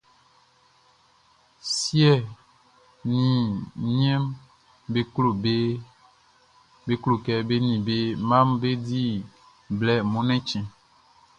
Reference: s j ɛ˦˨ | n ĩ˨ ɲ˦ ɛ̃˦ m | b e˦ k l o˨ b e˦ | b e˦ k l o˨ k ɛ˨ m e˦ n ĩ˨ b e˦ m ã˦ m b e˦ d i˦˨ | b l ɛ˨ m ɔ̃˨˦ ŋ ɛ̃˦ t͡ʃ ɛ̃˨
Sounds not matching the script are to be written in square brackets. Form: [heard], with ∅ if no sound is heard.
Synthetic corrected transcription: s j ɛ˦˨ | n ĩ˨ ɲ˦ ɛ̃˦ m | b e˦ k l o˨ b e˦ | b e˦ k l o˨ k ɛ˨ [b] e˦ n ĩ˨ b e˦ m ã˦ m b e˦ d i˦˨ | b l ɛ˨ m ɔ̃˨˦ [n] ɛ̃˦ t͡ʃ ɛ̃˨